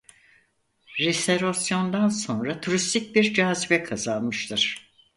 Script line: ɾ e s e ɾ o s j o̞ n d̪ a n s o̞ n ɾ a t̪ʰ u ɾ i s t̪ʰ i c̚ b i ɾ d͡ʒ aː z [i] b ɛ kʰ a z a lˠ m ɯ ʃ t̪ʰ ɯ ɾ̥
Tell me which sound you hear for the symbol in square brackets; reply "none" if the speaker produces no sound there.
i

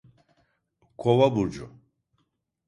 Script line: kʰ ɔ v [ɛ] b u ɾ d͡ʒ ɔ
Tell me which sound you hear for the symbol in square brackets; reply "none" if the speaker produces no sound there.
a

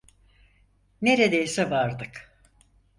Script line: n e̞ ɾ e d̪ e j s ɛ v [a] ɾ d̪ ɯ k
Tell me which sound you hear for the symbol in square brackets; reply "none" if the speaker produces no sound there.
a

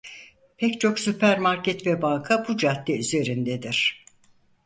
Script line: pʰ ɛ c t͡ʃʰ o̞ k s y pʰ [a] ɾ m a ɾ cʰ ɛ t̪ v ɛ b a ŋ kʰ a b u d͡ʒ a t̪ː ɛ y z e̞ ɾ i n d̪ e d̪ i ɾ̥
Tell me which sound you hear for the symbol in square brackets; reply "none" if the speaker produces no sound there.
æ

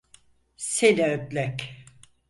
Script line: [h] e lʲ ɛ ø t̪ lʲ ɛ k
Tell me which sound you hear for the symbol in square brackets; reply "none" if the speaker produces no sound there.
s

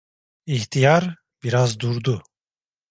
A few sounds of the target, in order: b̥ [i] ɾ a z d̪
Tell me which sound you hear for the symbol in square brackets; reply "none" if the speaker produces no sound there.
i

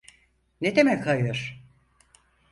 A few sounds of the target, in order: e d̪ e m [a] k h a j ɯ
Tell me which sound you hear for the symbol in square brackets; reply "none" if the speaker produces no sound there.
ɛ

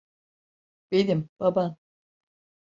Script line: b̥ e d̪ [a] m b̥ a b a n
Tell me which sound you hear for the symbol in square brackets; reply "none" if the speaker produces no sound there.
i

